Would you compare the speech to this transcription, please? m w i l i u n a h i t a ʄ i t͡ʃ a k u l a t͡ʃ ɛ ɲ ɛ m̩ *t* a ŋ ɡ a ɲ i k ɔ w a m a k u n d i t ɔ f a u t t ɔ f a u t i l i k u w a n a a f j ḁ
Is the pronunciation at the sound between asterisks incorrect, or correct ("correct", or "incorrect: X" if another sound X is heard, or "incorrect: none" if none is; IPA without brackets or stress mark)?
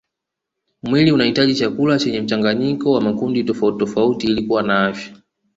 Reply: incorrect: t͡ʃ